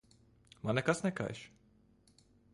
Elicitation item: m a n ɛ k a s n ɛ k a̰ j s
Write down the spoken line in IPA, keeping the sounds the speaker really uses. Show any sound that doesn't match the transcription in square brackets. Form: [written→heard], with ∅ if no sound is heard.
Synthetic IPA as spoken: m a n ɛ k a s n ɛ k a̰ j [s→ʃ]